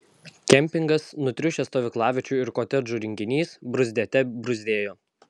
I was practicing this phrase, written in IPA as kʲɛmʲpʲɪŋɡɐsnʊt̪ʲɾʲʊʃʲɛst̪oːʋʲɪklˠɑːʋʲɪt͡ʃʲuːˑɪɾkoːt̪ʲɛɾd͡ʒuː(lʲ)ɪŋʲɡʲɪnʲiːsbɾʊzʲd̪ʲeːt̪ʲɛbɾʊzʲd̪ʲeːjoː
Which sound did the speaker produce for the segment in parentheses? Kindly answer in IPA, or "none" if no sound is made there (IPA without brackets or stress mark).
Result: ɾʲ